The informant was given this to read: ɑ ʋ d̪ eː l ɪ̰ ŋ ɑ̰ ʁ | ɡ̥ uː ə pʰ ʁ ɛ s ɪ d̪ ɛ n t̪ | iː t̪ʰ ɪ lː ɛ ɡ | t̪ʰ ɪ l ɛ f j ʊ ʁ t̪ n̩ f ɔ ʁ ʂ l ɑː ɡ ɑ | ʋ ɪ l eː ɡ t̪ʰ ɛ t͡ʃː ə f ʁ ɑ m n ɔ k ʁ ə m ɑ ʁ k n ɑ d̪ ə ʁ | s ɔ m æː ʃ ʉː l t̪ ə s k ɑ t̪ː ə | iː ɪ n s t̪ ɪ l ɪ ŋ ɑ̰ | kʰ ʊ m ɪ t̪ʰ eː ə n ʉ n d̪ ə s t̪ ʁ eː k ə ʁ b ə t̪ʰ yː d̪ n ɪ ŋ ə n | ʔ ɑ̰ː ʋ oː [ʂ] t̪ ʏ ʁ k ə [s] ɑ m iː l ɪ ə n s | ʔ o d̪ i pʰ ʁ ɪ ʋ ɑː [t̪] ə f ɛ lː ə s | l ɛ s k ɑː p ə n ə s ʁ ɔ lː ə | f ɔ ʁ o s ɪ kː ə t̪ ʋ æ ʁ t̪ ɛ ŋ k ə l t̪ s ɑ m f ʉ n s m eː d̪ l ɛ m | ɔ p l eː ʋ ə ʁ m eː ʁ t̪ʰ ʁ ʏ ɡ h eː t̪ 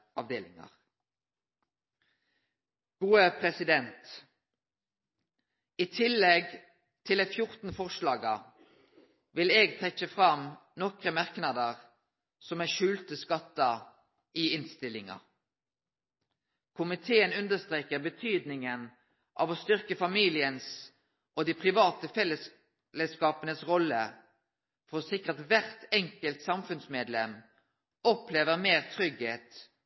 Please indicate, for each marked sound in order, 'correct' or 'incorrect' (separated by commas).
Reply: incorrect, incorrect, correct